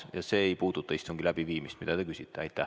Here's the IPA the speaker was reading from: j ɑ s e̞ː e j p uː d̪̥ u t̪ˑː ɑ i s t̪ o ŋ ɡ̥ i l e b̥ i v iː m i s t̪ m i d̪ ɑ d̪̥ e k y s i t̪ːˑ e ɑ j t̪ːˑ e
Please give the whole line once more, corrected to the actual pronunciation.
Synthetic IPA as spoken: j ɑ s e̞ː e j p uː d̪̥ u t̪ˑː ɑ i s t̪ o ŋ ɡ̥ i l æ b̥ i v iː m i s t̪ m i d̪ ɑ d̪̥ e k y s i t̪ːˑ e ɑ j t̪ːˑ æ